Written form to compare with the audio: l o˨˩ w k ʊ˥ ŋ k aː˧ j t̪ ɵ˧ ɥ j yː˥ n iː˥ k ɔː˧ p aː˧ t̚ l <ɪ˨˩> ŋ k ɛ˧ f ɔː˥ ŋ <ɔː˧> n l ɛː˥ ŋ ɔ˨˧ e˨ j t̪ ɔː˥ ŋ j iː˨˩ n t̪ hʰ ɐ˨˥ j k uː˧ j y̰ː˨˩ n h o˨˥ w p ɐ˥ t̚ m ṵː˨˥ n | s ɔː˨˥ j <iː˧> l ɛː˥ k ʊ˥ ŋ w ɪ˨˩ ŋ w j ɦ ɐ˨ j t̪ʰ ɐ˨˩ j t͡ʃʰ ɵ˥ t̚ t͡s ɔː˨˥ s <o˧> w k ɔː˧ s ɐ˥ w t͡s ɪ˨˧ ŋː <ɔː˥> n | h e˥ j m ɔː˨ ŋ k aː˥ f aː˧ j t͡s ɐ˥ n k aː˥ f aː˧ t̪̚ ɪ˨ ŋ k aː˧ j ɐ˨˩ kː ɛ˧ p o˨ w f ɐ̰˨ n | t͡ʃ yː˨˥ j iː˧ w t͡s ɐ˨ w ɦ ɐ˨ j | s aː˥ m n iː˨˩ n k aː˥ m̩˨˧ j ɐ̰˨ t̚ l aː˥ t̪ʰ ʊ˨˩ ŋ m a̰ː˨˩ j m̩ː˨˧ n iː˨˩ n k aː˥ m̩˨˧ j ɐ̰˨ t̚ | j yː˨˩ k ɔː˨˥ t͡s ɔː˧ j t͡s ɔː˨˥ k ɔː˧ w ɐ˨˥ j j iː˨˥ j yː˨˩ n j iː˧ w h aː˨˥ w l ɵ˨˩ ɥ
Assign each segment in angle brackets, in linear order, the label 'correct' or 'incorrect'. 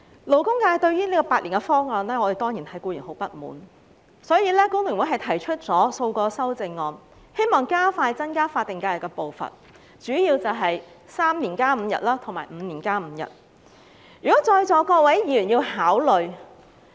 incorrect, correct, correct, correct, incorrect

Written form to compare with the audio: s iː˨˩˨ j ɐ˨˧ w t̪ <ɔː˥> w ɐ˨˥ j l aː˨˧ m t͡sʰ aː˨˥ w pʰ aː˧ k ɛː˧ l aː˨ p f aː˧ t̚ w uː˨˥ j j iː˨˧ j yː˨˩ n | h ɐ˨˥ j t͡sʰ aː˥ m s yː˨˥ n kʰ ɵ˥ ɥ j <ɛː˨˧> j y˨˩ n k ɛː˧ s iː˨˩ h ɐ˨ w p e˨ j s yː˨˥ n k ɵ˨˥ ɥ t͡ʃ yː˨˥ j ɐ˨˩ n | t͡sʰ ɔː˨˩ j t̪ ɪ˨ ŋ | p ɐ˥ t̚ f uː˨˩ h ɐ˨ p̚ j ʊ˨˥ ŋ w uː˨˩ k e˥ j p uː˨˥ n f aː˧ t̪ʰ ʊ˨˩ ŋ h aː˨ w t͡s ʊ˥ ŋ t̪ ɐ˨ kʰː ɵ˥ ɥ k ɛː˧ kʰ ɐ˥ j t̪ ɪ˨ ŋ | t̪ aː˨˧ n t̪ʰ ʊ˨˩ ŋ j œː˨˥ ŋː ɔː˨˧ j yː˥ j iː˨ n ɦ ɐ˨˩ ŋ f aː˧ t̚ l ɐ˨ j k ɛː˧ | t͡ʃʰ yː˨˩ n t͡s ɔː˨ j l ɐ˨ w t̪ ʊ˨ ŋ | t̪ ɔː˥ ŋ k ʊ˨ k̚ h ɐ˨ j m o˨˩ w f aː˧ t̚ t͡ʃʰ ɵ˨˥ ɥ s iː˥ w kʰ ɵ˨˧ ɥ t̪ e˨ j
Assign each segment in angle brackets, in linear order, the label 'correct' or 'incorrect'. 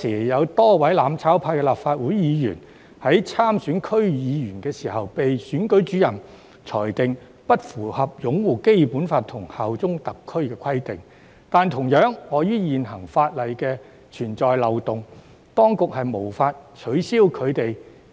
correct, incorrect

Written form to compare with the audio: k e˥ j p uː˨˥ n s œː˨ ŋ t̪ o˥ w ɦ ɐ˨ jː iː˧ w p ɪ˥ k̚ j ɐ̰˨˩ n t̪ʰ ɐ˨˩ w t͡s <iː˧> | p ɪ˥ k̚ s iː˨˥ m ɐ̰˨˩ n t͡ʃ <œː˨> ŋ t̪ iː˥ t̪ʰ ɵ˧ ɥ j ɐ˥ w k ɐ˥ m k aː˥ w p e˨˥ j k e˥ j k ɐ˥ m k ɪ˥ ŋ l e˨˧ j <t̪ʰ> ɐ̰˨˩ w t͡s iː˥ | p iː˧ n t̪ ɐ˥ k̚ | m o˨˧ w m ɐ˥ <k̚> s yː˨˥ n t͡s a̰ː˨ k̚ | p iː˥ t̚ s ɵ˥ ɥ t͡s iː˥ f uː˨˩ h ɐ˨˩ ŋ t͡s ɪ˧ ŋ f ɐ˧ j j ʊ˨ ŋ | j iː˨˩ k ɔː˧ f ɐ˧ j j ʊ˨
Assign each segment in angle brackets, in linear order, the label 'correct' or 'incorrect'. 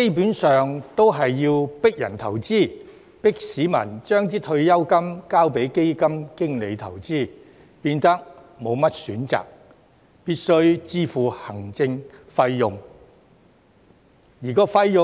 incorrect, incorrect, correct, incorrect

